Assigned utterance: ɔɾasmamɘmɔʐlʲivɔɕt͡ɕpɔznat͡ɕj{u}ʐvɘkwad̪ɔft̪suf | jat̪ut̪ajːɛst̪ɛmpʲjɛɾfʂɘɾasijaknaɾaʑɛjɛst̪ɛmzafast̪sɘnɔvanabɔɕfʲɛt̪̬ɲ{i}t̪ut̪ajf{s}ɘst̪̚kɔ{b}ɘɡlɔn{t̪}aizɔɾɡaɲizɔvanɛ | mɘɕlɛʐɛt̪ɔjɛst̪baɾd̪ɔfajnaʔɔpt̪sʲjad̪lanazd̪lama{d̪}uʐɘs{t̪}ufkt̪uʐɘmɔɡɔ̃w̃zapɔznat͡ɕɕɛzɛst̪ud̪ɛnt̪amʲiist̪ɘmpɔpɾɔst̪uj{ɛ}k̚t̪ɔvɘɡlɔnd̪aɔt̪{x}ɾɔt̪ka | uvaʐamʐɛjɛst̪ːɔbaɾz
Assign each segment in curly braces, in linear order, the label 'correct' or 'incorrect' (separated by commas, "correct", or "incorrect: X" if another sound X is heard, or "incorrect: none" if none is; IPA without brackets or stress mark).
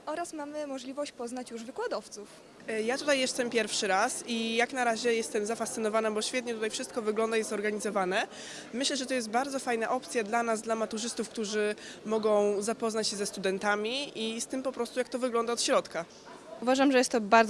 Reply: correct, incorrect: ɛ, incorrect: ʂ, incorrect: v, incorrect: d̪, incorrect: t̪, correct, incorrect: a, incorrect: ɕ